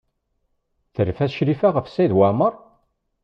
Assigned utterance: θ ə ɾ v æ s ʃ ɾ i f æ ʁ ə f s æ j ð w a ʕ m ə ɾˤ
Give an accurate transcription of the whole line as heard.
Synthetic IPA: θ ə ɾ f æ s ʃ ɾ i f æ ʁ ə f s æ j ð w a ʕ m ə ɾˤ